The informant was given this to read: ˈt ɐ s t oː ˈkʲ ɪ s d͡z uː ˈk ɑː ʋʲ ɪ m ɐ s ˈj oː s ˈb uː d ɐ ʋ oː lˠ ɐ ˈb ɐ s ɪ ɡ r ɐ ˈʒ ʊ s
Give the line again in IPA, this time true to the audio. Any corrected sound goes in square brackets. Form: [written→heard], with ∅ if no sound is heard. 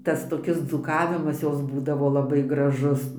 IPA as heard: ˈt ɐ s t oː ˈkʲ ɪ s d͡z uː ˈk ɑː ʋʲ ɪ m ɐ s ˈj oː s ˈb uː d ɐ ʋ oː lˠ ɐ ˈb ɐ [s→∅] ɪ ɡ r ɐ ˈʒ ʊ s

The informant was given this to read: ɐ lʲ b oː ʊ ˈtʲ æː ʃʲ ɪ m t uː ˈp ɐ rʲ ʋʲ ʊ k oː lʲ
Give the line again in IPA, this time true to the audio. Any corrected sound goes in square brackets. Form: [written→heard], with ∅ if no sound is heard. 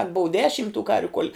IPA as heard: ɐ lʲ b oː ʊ [ˈtʲ→ˈdʲ] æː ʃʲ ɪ m t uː [ˈp→ˈk] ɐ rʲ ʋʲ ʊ k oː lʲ

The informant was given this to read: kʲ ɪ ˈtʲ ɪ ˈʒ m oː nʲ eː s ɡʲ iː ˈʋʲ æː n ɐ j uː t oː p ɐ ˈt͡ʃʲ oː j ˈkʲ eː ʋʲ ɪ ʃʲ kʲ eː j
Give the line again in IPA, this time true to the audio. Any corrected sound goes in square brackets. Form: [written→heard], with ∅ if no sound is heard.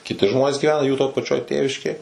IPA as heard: kʲ ɪ ˈtʲ ɪ ˈʒ m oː nʲ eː s ɡʲ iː ˈʋʲ æː n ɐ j uː t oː p ɐ ˈt͡ʃʲ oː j [ˈkʲ→ˈtʲ] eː ʋʲ ɪ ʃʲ kʲ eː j

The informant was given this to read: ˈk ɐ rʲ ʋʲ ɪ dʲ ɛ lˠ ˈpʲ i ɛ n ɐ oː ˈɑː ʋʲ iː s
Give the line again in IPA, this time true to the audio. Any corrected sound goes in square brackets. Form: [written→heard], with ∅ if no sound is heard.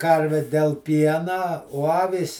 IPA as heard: ˈk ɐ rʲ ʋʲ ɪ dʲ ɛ lˠ ˈpʲ i ɛ n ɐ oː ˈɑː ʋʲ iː s

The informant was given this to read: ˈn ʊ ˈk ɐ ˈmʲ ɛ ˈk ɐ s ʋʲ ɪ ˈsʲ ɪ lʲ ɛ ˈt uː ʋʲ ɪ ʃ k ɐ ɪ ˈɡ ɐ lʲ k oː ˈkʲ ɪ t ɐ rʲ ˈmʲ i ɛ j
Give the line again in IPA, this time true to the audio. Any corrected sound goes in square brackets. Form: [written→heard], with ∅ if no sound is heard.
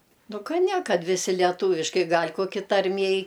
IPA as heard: ˈn ʊ ˈk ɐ [ˈmʲ→ˈnʲ] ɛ ˈk ɐ [s→t] ʋʲ ɪ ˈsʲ ɪ lʲ ɛ ˈt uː ʋʲ ɪ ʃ k ɐ ɪ ˈɡ ɐ lʲ k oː ˈkʲ ɪ t ɐ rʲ ˈmʲ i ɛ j

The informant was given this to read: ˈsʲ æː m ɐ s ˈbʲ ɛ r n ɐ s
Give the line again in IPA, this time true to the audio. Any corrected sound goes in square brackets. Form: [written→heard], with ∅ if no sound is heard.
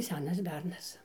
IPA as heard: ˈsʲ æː [m→n] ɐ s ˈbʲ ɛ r n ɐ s

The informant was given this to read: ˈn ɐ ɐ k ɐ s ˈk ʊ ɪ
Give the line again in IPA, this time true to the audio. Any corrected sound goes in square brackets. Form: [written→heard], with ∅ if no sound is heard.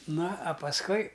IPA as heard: ˈn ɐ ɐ [k→p] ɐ s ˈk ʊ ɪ

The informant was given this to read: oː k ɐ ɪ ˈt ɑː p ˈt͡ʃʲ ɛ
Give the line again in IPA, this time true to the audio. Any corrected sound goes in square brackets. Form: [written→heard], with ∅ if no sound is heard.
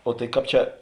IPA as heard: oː [k→t] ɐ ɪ [ˈt→ˈk] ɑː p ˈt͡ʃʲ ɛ

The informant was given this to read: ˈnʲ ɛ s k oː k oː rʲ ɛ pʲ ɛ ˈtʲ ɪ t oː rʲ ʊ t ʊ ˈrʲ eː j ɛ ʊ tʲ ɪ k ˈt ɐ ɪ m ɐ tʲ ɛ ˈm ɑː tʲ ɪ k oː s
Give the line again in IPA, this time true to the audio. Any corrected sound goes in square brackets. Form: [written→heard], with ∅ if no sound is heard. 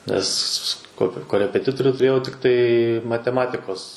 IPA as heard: ˈnʲ ɛ s k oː k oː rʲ ɛ pʲ ɛ ˈtʲ ɪ t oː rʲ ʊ t ʊ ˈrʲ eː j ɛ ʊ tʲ ɪ k ˈt ɐ ɪ m ɐ tʲ ɛ ˈm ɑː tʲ ɪ k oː s

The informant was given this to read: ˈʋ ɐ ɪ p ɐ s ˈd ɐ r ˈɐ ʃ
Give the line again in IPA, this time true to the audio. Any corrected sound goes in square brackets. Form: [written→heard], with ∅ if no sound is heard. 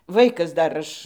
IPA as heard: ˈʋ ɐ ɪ [p→k] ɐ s ˈd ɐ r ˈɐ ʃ

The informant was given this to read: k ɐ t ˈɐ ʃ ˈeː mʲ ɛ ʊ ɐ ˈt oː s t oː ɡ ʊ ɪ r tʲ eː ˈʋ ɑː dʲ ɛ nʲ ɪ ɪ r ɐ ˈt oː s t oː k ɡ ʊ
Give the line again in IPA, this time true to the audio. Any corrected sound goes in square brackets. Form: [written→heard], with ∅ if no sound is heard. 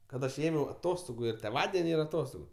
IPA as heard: k ɐ t ˈɐ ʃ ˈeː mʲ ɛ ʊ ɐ ˈt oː s t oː ɡ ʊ ɪ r tʲ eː ˈʋ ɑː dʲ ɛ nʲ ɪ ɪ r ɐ ˈt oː s t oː [k→∅] ɡ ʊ

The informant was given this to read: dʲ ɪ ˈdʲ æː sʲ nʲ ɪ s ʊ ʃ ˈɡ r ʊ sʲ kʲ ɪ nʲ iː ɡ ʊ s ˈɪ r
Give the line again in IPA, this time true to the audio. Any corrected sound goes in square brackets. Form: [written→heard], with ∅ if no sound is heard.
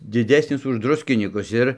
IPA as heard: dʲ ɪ ˈdʲ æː sʲ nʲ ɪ s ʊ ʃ [ˈɡ→ˈd] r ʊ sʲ kʲ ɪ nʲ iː [ɡ→k] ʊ s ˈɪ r

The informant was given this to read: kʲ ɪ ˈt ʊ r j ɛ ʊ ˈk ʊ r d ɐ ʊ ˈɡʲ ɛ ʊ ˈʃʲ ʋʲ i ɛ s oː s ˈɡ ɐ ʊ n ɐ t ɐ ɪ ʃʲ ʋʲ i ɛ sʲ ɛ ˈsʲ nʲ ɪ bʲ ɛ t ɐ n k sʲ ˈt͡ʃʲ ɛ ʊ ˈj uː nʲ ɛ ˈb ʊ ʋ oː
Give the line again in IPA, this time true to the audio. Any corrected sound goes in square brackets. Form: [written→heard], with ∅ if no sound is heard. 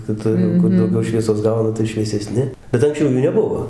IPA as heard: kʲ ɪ ˈt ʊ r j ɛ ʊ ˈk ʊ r d ɐ ʊ ˈɡʲ ɛ ʊ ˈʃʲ ʋʲ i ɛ s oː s ˈɡ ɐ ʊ n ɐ t ɐ ɪ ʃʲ ʋʲ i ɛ sʲ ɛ ˈsʲ nʲ ɪ bʲ ɛ t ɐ [n→ŋ] k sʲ ˈt͡ʃʲ ɛ ʊ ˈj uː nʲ ɛ ˈb ʊ ʋ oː

